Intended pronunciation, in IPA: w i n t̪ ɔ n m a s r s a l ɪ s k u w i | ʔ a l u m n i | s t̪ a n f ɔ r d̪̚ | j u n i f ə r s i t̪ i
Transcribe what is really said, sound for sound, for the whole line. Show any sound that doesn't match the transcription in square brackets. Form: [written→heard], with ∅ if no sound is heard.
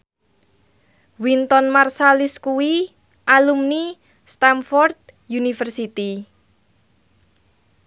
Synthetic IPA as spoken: w i n t̪ ɔ n m a [s→∅] r s a l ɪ s k u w i | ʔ a l u m n i | s t̪ a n f ɔ r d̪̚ | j u n i f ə r s i t̪ i